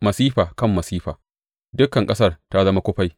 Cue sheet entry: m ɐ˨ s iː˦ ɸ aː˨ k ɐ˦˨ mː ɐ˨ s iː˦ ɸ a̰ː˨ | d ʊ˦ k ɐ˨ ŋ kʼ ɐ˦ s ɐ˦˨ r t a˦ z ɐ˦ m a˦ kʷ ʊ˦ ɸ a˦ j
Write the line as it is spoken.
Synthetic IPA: m ɐ˨ s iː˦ ɸ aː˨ k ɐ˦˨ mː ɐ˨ s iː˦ ɸ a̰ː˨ | d ʊ˦ k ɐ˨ ŋ kʼ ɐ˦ s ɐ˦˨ r t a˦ z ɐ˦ m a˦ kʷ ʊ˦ ɸ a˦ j

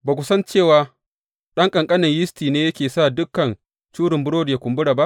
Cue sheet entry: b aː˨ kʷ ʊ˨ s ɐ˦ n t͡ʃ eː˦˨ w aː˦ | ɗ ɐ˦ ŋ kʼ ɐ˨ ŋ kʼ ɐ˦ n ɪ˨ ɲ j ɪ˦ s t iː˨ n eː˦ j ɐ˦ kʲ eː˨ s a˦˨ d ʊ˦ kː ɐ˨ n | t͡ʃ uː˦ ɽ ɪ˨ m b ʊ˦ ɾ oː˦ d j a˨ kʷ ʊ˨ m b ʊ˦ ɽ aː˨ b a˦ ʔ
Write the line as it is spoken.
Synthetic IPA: b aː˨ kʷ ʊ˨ s ɐ˦ n t͡ʃ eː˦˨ w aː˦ | ɗ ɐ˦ ŋ kʼ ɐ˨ ŋ kʼ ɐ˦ n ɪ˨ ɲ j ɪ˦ s t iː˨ n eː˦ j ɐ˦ kʲ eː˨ s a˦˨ d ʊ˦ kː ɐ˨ n | t͡ʃ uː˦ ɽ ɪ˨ m b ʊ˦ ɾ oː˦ d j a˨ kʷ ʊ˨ m b ʊ˦ ɽ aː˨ b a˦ ʔ

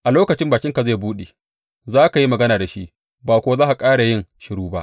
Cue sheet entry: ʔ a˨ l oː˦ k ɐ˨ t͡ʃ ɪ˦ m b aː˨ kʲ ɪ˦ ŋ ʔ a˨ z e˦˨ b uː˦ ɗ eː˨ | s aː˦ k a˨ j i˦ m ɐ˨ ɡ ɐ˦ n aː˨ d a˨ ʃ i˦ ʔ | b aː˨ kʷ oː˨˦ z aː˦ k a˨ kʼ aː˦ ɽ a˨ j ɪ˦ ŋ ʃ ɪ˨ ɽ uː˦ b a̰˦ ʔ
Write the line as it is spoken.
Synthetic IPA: ʔ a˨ l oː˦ k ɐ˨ t͡ʃ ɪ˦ m b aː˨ kʲ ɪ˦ ŋ k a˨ z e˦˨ b uː˦ ɗ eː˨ | z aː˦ k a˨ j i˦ m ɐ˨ ɡ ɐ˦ n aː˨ d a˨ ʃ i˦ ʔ | b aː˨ kʷ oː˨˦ z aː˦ ʔ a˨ kʼ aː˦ ɽ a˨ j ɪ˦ ŋ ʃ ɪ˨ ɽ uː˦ b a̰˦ ʔ

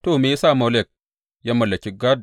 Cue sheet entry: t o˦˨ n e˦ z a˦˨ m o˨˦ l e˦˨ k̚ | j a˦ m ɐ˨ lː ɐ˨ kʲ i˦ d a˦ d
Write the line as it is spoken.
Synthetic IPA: t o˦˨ m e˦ s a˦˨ m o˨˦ l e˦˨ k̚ | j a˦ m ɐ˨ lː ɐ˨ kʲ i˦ ɡ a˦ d

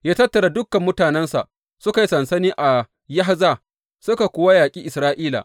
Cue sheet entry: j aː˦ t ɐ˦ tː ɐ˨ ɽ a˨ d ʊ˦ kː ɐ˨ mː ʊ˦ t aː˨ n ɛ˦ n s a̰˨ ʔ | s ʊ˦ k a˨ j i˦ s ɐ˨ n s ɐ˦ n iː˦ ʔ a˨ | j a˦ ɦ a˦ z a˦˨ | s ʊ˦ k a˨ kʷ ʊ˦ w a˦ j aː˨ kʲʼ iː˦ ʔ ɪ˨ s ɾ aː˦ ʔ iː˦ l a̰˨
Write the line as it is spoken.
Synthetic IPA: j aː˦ t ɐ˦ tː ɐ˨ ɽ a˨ d ʊ˦ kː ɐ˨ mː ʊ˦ t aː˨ n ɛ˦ n s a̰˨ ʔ | s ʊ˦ k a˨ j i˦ s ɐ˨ n s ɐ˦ n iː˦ ʔ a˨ | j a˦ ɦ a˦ z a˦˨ | s ʊ˦ k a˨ kʷ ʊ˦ w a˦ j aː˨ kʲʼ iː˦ ʔ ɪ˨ s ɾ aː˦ ʔ iː˦ l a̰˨

